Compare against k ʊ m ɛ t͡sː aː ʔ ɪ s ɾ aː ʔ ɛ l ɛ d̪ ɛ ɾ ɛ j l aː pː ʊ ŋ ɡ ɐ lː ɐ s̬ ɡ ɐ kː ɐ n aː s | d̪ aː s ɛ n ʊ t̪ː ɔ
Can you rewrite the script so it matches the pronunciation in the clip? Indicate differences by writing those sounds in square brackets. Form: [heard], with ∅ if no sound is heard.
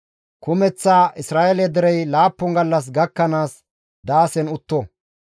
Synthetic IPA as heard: k ʊ m ɛ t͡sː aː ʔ ɪ s ɾ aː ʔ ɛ l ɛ d̪ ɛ ɾ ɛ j l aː pː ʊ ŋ ɡ ɐ lː ɐ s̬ ɡ ɐ kː ɐ n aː s | d̪ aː s ɛ n ʊ t̪ː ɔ